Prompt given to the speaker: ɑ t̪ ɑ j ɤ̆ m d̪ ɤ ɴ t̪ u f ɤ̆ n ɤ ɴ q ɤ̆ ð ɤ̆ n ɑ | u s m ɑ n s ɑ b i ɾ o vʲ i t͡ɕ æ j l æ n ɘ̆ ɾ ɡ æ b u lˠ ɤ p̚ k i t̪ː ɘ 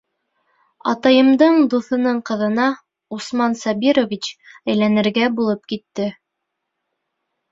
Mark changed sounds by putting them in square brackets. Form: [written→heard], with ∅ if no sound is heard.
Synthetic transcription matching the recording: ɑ t̪ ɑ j ɤ̆ m d̪ ɤ ɴ [t̪→d̪] u [f→θ] ɤ̆ n ɤ ɴ q ɤ̆ ð ɤ̆ n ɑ | u s m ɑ n s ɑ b i ɾ o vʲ i t͡ɕ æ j l æ n ɘ̆ ɾ ɡ æ b u lˠ ɤ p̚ k i t̪ː ɘ

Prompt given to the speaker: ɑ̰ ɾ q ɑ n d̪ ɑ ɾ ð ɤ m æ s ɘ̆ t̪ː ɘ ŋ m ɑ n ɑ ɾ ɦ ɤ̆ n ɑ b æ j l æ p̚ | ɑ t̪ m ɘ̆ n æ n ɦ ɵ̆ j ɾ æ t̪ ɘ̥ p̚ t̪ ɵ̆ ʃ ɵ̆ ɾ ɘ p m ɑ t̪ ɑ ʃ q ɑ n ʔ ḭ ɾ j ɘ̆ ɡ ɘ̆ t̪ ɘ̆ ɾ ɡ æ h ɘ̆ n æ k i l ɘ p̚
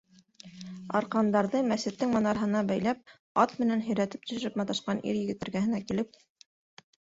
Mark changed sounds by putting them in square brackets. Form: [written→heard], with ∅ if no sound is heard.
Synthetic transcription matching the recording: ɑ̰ ɾ q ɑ n d̪ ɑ ɾ ð ɤ m æ s ɘ̆ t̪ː ɘ ŋ m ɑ n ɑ ɾ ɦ ɤ̆ n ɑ b æ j l æ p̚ | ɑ t̪ m ɘ̆ n æ n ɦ ɵ̆ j ɾ æ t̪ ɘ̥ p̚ t̪ ɵ̆ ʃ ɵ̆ ɾ ɘ p m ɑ t̪ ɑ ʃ q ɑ n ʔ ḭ ɾ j ɘ̆ ɡ ɘ̆ t̪ ɘ̆ ɾ ɡ æ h ɘ̆ n æ k i l ɘ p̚

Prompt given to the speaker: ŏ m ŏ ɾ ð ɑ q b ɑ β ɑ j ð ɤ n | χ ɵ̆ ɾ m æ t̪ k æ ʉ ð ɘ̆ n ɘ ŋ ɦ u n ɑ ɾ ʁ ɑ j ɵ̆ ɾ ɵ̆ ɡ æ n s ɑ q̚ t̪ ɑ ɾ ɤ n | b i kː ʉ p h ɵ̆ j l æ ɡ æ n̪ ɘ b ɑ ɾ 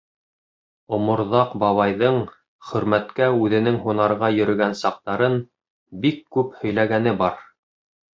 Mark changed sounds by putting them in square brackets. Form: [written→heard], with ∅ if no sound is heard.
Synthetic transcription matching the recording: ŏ m ŏ ɾ ð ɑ q b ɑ β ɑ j ð ɤ [n→ɴ] | χ ɵ̆ ɾ m æ t̪ k æ ʉ ð ɘ̆ n ɘ ŋ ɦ u n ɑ ɾ ʁ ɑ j ɵ̆ ɾ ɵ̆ ɡ æ n s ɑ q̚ t̪ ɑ ɾ ɤ n | b i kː ʉ p h ɵ̆ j l æ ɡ æ n̪ ɘ b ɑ ɾ

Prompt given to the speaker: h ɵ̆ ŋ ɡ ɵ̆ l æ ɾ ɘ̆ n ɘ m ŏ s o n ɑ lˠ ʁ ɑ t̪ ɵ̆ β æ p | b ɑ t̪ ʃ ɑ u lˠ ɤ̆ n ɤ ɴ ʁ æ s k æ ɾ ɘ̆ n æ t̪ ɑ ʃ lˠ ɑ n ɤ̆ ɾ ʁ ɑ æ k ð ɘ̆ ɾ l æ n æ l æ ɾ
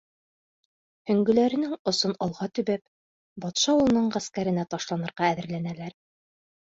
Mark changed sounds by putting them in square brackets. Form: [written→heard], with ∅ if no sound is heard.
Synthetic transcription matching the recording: h ɵ̆ ŋ ɡ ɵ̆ l æ ɾ ɘ̆ n ɘ [m→ŋ] ŏ s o n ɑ lˠ ʁ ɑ t̪ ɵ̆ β æ p | b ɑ t̪ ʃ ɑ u lˠ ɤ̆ n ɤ ɴ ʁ æ s k æ ɾ ɘ̆ n æ t̪ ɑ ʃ lˠ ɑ n ɤ̆ ɾ ʁ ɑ æ [k→∅] ð ɘ̆ ɾ l æ n æ l æ ɾ

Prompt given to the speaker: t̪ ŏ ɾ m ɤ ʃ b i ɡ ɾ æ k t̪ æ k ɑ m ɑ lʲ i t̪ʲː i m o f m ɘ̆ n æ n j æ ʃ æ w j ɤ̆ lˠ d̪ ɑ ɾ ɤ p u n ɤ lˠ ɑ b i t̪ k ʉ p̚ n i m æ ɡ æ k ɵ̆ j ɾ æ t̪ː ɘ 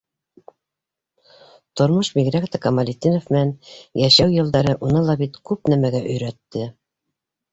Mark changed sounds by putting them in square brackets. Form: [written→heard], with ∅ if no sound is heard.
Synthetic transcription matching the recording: t̪ ŏ ɾ m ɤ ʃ b i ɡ ɾ æ k t̪ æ k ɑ m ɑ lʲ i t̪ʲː i [m→n] o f m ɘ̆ n æ n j æ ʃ æ w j ɤ̆ lˠ d̪ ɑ ɾ ɤ [p→ʔ] u n ɤ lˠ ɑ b i t̪ k ʉ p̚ n [i→æ] m æ ɡ æ [k→ʔ] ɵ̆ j ɾ æ t̪ː ɘ

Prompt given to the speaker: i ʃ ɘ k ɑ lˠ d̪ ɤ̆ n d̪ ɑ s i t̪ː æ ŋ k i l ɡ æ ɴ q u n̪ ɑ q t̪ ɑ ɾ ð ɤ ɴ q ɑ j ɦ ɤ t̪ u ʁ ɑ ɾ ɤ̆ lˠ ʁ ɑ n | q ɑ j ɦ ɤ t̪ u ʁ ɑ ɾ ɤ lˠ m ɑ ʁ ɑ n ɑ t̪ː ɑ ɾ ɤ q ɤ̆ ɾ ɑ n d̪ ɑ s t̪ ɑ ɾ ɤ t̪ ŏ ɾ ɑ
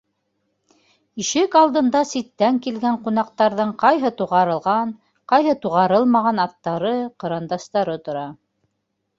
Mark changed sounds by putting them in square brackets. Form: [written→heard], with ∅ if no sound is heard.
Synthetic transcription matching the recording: i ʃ ɘ k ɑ lˠ d̪ ɤ̆ n d̪ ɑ s i t̪ː æ ŋ k i l ɡ æ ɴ q u n̪ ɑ q t̪ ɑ ɾ ð ɤ ɴ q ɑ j ɦ ɤ t̪ u ʁ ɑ ɾ ɤ̆ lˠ ʁ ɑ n | q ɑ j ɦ ɤ t̪ u ʁ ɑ ɾ ɤ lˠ m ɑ ʁ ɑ n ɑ t̪ː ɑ ɾ ɤ q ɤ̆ ɾ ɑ n d̪ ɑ s t̪ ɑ ɾ ɤ t̪ ŏ ɾ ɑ

